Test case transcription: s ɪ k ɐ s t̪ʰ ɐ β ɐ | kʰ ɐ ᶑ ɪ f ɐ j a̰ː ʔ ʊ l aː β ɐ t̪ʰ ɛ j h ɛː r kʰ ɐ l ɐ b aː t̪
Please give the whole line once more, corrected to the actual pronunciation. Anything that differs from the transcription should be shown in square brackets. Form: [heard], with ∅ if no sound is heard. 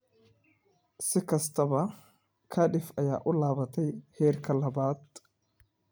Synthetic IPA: s ɪ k ɐ s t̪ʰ ɐ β ɐ | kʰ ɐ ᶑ ɪ f ɐ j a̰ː ʔ ʊ l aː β ɐ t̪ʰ ɛ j h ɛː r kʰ ɐ l ɐ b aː t̪

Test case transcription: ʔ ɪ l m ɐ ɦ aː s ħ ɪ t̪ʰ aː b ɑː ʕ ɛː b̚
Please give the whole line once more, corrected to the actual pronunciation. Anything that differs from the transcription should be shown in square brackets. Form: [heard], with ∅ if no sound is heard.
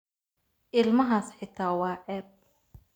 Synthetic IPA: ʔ ɪ l m ɐ ɦ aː s ħ ɪ t̪ʰ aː [w] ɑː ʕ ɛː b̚

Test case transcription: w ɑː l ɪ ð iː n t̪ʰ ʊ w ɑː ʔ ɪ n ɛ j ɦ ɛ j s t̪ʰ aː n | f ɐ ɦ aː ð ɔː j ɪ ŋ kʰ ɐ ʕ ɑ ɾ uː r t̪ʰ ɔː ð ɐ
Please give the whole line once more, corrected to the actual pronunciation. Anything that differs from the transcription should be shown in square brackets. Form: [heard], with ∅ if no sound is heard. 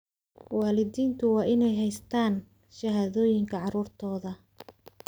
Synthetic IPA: w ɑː l ɪ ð iː n t̪ʰ ʊ w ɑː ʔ ɪ n ɛ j ɦ ɛ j s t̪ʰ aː n | [ʃ] ɐ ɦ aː ð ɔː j ɪ ŋ kʰ ɐ ʕ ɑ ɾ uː r t̪ʰ ɔː ð ɐ

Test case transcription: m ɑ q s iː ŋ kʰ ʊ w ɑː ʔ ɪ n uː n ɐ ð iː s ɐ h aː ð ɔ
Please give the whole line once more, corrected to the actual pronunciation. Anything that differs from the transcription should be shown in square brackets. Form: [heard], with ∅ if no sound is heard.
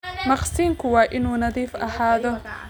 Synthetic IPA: m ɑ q s iː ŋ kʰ ʊ w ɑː ʔ ɪ n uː n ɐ ð iː [f] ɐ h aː ð ɔ

